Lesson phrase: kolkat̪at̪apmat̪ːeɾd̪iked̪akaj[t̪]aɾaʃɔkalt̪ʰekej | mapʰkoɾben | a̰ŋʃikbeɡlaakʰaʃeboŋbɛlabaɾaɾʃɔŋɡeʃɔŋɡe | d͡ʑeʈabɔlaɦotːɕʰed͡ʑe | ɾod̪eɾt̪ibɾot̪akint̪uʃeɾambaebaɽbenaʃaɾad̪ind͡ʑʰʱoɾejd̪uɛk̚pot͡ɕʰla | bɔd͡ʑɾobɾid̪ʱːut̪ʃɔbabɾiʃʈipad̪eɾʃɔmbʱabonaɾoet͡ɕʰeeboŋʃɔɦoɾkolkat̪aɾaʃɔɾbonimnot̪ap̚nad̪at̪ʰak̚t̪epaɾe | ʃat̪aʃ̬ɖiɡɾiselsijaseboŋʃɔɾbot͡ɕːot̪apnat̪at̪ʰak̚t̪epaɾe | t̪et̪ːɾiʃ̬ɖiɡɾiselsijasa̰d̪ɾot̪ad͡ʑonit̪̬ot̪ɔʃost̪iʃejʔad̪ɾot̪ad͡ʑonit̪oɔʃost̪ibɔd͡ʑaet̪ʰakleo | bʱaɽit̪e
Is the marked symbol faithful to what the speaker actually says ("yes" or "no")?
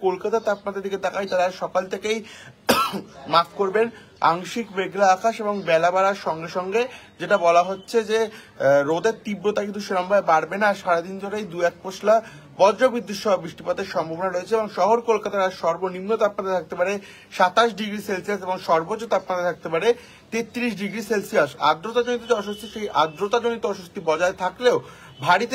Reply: yes